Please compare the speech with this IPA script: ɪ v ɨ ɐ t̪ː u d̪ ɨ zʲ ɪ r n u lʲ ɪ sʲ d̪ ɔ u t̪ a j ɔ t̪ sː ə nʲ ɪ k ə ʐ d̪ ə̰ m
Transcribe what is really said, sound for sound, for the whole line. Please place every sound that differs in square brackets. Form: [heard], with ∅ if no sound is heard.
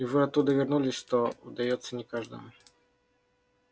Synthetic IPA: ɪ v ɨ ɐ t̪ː u d̪ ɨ [vʲ] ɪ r n u lʲ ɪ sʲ [t̪] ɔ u [d̪] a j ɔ t̪ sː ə nʲ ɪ k [a] ʐ d̪ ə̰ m